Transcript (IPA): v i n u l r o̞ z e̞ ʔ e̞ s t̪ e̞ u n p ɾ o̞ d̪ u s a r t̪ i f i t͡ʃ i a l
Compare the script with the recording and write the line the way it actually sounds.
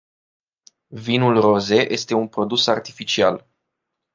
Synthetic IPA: v i n u l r o̞ z e̞ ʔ e̞ s t̪ e̞ u n p ɾ o̞ d̪ u s a r t̪ i f i t͡ʃ i a l